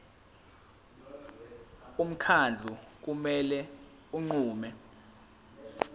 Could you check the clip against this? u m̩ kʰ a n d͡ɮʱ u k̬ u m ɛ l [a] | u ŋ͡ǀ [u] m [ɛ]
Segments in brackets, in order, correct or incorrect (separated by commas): incorrect, incorrect, correct